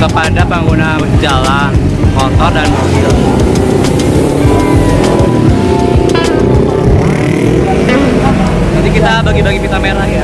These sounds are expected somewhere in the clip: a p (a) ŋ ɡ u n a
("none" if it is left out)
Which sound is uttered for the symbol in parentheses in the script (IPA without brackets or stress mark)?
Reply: a